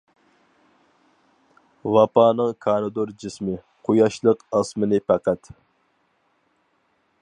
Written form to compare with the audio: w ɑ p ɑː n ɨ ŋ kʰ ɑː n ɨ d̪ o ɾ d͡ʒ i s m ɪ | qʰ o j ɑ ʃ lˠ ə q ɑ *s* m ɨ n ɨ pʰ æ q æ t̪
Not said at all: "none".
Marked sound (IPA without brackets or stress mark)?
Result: s